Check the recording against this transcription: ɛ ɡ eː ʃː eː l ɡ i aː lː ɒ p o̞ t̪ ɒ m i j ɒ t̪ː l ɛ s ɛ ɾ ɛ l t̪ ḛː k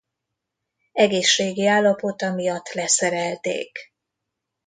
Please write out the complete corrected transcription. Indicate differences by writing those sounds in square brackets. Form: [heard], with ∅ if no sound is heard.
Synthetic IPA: ɛ ɡ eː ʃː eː [∅] ɡ i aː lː ɒ p o̞ t̪ ɒ m i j ɒ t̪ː l ɛ s ɛ ɾ ɛ l t̪ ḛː k

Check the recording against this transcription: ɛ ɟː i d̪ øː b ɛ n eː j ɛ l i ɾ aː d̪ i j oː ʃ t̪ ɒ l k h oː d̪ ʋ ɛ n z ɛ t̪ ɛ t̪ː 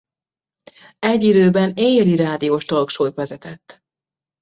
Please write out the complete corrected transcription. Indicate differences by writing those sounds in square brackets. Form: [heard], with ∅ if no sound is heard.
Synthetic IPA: ɛ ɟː i d̪ øː b ɛ n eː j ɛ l i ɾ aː d̪ i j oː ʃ t̪ [o] l k [ʃ] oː [t̪] ʋ ɛ [∅] z ɛ t̪ ɛ t̪ː

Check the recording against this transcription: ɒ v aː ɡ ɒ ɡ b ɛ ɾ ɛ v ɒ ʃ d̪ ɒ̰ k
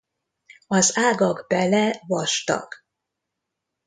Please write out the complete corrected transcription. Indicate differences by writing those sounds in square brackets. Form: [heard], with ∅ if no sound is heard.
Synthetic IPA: ɒ [z] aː ɡ ɒ ɡ b ɛ [l] ɛ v ɒ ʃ [t̪] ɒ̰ k

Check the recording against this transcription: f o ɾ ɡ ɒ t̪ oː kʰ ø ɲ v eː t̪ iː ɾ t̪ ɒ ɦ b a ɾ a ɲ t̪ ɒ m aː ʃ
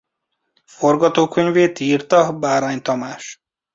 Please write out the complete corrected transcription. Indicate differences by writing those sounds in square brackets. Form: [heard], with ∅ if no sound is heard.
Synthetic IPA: f o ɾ ɡ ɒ t̪ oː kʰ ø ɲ v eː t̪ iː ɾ t̪ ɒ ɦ b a ɾ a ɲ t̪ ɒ m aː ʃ

